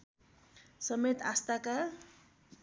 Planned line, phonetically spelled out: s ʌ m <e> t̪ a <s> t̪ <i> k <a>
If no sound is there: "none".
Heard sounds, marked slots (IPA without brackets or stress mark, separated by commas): e, s, a, a